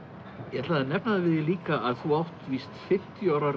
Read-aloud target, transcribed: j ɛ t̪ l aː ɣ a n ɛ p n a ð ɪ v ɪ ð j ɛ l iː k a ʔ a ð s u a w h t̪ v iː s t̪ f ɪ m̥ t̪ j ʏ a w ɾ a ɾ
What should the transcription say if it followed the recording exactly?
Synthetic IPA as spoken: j ɛ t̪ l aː ð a n ɛ p n a ð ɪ v ɪ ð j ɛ l iː k a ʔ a ð θ u a w h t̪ v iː s t̪ f ɪ m̥ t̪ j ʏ a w ɾ a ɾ